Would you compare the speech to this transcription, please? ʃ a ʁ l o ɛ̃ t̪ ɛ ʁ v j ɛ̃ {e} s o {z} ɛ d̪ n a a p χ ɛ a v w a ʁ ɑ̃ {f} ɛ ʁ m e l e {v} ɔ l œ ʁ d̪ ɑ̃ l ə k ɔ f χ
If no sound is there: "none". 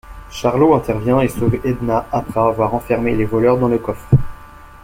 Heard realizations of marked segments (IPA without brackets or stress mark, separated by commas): e, v, f, v